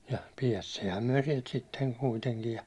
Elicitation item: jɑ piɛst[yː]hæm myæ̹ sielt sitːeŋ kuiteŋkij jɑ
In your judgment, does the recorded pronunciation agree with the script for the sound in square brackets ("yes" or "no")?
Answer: no